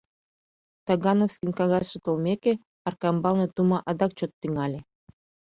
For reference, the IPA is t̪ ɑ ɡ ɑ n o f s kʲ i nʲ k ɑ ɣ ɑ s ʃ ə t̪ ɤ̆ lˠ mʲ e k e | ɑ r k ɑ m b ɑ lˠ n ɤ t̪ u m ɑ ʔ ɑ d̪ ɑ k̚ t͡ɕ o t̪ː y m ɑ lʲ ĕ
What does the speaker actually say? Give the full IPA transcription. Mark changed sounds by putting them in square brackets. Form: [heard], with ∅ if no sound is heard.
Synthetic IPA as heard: t̪ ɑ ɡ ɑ n o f s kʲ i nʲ k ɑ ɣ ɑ s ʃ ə t̪ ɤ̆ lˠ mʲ e k e | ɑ r k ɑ m b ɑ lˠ n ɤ t̪ u m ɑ ʔ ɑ d̪ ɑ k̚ t͡ɕ o t̪ː y [ŋ] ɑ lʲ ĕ